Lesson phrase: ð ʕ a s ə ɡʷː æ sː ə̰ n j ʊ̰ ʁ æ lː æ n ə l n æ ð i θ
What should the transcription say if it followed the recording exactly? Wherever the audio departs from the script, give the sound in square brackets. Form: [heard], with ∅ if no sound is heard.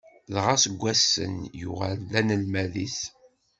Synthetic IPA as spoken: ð [ʁ] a s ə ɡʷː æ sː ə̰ n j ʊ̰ ʁ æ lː æ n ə l [m] æ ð i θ